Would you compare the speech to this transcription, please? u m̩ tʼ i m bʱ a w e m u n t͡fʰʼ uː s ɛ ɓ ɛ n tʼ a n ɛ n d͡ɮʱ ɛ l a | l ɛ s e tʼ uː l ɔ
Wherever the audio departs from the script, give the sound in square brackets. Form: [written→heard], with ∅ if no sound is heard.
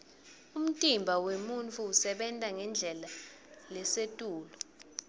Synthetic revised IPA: u m̩ tʼ i m bʱ a w e m u n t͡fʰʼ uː s ɛ ɓ ɛ n tʼ a [n→ŋ] ɛ n d͡ɮʱ ɛ l a | l ɛ s e tʼ uː l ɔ